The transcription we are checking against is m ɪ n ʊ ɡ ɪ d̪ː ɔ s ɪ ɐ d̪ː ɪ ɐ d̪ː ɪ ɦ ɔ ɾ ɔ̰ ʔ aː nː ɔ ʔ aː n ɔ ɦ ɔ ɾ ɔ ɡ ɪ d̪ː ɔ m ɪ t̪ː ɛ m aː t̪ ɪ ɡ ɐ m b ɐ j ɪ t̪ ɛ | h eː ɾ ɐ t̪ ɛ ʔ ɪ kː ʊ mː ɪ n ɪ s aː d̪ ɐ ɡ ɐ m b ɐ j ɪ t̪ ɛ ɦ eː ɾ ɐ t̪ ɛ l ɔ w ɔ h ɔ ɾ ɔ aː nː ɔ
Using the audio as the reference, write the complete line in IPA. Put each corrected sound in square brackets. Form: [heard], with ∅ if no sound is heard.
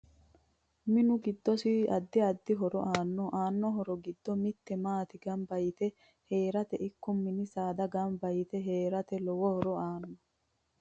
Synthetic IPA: m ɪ n ʊ ɡ ɪ d̪ː ɔ s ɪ ɐ d̪ː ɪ ɐ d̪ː ɪ ɦ ɔ ɾ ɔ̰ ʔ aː nː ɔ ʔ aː [nː] ɔ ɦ ɔ ɾ ɔ ɡ ɪ d̪ː ɔ m ɪ t̪ː ɛ m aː t̪ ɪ ɡ ɐ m b ɐ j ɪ t̪ ɛ | h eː ɾ ɐ t̪ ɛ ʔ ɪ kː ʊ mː ɪ n ɪ s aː d̪ ɐ ɡ ɐ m b ɐ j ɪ t̪ ɛ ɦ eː ɾ ɐ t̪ ɛ l ɔ w ɔ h ɔ ɾ ɔ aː nː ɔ